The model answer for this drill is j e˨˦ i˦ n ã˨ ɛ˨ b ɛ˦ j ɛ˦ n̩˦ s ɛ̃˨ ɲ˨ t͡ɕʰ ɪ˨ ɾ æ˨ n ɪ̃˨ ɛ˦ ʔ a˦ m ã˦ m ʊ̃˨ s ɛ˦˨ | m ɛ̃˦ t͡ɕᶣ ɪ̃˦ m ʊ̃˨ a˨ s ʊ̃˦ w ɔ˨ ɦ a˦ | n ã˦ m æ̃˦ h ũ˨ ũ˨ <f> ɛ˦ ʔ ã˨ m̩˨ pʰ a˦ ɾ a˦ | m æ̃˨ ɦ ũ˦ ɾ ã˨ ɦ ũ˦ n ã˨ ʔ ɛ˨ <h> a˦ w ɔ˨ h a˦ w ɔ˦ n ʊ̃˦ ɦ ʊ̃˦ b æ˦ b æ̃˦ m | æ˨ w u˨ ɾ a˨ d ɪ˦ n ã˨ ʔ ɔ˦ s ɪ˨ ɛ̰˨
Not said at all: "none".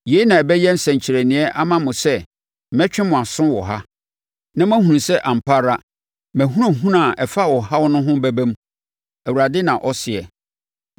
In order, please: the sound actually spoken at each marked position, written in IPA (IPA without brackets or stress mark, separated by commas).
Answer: s, f